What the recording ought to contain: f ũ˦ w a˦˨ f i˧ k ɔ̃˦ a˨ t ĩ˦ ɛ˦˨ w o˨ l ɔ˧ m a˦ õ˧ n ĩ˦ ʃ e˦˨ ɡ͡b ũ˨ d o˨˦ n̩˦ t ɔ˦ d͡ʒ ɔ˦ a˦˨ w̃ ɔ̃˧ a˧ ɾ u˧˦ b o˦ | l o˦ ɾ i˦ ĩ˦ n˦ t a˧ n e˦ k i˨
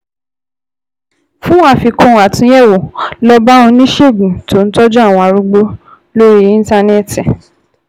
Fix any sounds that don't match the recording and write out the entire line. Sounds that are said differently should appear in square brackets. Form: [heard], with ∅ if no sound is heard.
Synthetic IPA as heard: f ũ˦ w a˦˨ f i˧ k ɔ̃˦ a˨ t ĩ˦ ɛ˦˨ w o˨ l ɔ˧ [b] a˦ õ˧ n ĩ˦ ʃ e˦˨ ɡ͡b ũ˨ [t] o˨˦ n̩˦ t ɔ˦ d͡ʒ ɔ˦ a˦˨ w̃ ɔ̃˧ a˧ ɾ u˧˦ [ɡ͡b] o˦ | l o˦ ɾ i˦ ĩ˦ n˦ t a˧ n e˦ [t] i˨